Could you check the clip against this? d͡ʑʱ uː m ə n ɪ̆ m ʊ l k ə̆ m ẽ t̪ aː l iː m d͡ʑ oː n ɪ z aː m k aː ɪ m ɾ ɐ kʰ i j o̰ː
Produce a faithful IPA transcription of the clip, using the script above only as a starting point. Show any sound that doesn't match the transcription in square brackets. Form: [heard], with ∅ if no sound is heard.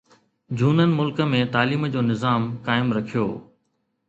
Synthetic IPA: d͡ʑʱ uː [n] ə n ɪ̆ m ʊ l k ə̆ m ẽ t̪ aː l iː m d͡ʑ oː n ɪ z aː m k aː ɪ m ɾ ɐ kʰ i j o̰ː

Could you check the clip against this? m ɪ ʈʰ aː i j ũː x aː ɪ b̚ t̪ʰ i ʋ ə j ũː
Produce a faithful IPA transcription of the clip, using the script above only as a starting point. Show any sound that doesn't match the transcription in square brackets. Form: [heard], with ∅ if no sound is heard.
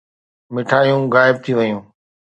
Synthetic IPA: m ɪ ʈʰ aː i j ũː [ɣ] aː ɪ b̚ t̪ʰ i ʋ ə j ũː

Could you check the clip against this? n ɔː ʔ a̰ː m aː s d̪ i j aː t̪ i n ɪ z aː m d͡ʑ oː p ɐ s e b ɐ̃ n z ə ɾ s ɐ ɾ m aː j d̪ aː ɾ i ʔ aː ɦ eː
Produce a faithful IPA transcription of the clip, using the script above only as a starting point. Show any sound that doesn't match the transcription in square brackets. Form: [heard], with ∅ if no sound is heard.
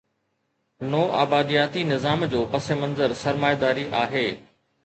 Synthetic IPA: n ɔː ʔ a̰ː [b] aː [∅] d̪ i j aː t̪ i n ɪ z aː m d͡ʑ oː p ɐ s e [m] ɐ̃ n z ə ɾ s ɐ ɾ m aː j d̪ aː ɾ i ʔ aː ɦ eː

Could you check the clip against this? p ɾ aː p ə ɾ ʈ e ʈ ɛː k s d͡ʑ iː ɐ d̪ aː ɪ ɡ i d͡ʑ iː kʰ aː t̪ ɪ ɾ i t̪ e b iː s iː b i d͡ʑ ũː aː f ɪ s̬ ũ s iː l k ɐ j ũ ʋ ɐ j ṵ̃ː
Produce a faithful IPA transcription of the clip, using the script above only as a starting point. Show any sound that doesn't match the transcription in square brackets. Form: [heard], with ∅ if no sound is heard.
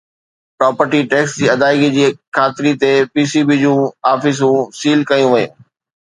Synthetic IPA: p ɾ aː p ə ɾ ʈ [i] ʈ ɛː k s d͡ʑ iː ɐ d̪ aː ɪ ɡ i d͡ʑ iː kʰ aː t̪ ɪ ɾ i t̪ e [p] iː s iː b i d͡ʑ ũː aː f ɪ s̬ ũ s iː l k ɐ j ũ ʋ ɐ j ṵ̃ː

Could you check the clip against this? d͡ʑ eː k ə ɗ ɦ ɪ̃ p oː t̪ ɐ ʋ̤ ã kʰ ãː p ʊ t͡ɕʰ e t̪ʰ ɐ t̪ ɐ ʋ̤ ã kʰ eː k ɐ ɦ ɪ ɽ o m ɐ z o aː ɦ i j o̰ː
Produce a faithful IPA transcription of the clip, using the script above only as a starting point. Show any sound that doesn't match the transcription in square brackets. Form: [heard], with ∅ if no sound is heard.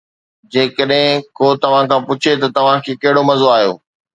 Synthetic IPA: d͡ʑ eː k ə ɗ ɦ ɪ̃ [k] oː t̪ ɐ ʋ̤ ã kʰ ãː p ʊ t͡ɕʰ e [t̪] ɐ t̪ ɐ ʋ̤ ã kʰ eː k ɐ ɦ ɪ ɽ o m ɐ z o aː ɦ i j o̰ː

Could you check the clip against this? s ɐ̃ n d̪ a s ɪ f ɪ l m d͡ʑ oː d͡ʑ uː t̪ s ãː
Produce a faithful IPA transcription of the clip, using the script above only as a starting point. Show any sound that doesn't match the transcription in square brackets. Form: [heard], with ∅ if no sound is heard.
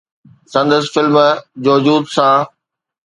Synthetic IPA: s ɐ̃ n d̪ [ə] s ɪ f ɪ l m d͡ʑ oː d͡ʑ uː [d̪] s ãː

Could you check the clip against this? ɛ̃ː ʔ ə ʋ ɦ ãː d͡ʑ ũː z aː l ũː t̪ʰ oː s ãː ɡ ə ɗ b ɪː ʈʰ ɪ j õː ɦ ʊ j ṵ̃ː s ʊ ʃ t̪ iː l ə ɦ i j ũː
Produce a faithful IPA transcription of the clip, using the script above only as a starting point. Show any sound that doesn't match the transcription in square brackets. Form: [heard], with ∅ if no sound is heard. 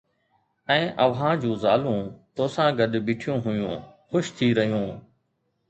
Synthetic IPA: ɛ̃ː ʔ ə ʋ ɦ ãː d͡ʑ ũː z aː l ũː [t̪] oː s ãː ɡ ə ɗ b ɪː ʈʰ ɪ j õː ɦ ʊ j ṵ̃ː [x] ʊ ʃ [t̪ʰ] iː [ɾ] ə ɦ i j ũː

